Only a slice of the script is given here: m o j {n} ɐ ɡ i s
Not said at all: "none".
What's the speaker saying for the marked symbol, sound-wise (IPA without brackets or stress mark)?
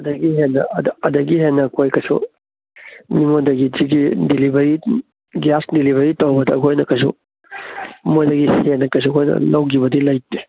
d